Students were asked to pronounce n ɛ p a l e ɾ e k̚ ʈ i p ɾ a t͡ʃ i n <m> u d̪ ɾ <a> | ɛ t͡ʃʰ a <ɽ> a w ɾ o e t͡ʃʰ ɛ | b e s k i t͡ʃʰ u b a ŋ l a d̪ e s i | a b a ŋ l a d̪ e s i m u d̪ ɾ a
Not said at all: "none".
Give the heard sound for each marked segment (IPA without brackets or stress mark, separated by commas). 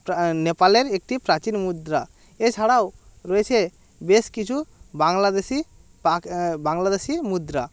m, a, ɽ